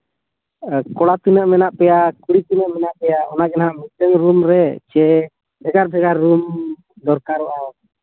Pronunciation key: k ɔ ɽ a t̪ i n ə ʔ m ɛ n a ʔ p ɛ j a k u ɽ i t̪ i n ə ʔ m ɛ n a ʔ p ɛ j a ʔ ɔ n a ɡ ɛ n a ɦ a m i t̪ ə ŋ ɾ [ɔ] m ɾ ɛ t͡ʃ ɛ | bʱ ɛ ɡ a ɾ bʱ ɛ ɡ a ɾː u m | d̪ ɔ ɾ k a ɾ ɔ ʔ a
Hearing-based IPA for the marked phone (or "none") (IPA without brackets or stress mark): u